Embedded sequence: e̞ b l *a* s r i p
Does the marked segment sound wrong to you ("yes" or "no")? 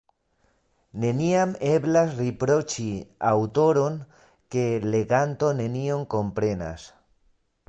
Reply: no